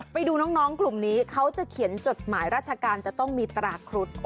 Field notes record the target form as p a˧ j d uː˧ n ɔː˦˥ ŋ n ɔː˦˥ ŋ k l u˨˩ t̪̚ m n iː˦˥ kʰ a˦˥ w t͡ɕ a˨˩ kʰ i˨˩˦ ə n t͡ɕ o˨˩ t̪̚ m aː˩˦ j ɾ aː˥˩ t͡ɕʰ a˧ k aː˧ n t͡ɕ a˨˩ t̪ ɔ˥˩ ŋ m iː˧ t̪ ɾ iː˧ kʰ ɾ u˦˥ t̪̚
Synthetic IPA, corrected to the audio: p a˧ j d uː˧ n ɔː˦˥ ŋ n ɔː˦˥ ŋ k l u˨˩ m n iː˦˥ kʰ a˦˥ w t͡ɕ a˨˩ kʰ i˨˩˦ ə n t͡ɕ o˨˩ t̪̚ m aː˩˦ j ɾ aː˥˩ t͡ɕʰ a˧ k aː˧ n t͡ɕ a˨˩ t̪ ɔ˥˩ ŋ m iː˧ t̪ ɾ aː˧ kʰ ɾ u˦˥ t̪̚